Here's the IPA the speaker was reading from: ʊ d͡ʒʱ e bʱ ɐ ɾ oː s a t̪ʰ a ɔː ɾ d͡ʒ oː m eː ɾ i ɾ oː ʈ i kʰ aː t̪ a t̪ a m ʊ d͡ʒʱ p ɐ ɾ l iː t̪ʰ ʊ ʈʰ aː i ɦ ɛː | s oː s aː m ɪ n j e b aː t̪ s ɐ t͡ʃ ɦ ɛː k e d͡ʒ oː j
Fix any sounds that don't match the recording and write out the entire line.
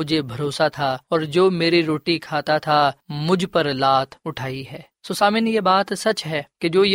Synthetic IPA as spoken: ʊ d͡ʒʱ e bʱ ɐ ɾ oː s a t̪ʰ a ɔː ɾ d͡ʒ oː m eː ɾ i ɾ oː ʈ i kʰ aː t̪ a t̪ʰ a m ʊ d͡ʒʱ p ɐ ɾ l aː t̪ʰ ʊ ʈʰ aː i ɦ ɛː | s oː s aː m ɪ n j e b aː t̪ s ɐ t͡ʃ ɦ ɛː k e d͡ʒ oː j